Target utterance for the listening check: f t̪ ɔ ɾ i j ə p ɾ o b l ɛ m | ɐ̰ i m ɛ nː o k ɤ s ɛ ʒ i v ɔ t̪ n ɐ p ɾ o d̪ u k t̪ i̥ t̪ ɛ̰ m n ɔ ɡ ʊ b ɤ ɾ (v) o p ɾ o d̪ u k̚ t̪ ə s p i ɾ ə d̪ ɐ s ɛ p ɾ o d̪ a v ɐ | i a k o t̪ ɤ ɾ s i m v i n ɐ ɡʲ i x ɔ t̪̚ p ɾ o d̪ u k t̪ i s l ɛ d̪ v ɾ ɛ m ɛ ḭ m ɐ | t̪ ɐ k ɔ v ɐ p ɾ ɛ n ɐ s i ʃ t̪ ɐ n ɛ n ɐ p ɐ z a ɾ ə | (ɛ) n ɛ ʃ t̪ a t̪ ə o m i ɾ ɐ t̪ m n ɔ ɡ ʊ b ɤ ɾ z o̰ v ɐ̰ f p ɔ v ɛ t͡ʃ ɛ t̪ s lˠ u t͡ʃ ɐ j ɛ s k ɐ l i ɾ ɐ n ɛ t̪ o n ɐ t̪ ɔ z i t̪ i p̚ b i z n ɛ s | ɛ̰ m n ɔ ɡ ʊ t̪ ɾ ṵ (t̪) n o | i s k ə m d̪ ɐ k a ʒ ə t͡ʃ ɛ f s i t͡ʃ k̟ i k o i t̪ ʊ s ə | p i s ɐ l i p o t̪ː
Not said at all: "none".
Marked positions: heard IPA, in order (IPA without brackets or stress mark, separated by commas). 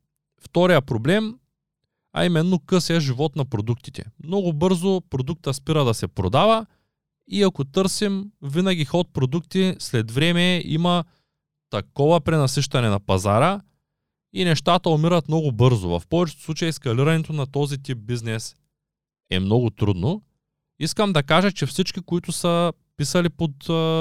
z, i, d̪